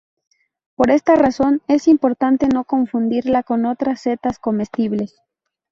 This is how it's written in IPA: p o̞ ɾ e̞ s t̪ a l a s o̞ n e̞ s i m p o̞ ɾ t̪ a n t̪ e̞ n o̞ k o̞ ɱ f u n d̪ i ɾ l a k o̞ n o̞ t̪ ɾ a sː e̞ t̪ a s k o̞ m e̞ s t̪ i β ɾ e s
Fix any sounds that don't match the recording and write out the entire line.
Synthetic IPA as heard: p o̞ ɾ e̞ s t̪ a r a s o̞ n e̞ s i m p o̞ ɾ t̪ a n t̪ e̞ n o̞ k o̞ ɱ f u n d̪ i ɾ l a k o̞ n o̞ t̪ ɾ a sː e̞ t̪ a s k o̞ m e̞ s t̪ i β l e s